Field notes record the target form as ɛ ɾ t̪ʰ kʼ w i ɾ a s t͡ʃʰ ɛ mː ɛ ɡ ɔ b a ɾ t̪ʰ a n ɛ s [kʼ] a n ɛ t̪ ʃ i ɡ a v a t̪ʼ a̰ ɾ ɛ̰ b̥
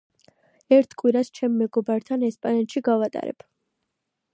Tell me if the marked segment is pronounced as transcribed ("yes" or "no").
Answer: no